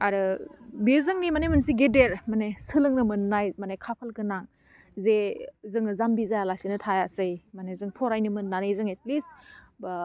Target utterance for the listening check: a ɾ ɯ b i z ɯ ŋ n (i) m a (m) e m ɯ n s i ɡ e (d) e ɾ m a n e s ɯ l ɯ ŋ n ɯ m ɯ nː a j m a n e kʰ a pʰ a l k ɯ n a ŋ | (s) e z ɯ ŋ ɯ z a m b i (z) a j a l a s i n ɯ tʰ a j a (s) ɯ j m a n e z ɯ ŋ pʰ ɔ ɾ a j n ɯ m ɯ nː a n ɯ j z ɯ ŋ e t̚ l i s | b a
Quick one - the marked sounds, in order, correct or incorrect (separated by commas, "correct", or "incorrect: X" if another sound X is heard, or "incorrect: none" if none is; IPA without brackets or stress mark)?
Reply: correct, incorrect: n, correct, incorrect: z, correct, correct